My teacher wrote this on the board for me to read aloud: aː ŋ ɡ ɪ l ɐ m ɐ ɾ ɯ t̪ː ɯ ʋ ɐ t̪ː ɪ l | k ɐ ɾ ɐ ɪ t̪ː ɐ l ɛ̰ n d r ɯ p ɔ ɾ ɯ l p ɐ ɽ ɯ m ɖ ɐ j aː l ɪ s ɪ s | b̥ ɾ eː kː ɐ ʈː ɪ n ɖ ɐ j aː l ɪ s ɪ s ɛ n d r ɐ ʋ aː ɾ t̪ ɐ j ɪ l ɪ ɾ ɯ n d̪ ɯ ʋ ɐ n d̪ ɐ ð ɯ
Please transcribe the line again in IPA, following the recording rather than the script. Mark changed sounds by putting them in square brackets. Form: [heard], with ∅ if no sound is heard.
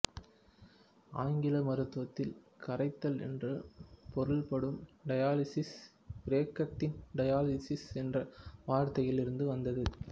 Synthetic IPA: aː ŋ ɡ ɪ l ɐ m ɐ ɾ ɯ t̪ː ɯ ʋ ɐ t̪ː ɪ l | k ɐ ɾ ɐ ɪ t̪ː ɐ l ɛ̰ n d r ɯ p ɔ ɾ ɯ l p ɐ ɽ ɯ m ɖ ɐ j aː l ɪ s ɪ s | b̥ ɾ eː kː ɐ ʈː ɪ n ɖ ɐ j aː l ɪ s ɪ s ɛ n d r ɐ ʋ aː ɾ t̪ ɐ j ɪ l ɪ ɾ ɯ n d̪ ɯ ʋ ɐ n d̪ ɐ ð ɯ